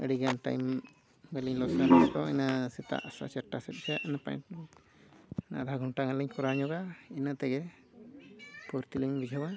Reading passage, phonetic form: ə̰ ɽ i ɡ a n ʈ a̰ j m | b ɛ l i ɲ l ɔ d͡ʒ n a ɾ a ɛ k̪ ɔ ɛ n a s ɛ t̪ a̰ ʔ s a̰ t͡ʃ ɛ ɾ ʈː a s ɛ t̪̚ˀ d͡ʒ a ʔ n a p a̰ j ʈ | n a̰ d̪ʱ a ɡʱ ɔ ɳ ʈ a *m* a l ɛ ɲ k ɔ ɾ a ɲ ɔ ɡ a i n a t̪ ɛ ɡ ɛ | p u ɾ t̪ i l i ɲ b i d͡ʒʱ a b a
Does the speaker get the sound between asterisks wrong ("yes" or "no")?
yes